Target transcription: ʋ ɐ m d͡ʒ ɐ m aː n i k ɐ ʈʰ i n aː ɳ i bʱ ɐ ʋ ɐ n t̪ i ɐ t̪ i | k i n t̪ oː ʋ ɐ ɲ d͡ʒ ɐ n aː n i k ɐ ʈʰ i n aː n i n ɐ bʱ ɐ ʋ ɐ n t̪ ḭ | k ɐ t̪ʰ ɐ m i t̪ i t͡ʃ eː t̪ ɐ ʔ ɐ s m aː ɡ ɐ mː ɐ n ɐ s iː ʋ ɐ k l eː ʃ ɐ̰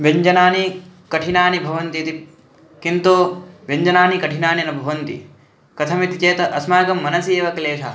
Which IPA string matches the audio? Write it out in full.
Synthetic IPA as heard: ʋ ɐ ɲ d͡ʒ ɐ n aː n i k ɐ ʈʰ i n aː n i bʱ ɐ ʋ ɐ n t̪ i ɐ t̪ i | k i n t̪ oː ʋ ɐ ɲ d͡ʒ ɐ n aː n i k ɐ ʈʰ i n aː n i n ɐ bʱ ɐ ʋ ɐ n t̪ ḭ | k ɐ t̪ʰ ɐ m i t̪ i t͡ʃ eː t̪ ɐ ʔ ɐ s m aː ɡ ɐ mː ɐ n ɐ s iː ʋ ɐ k l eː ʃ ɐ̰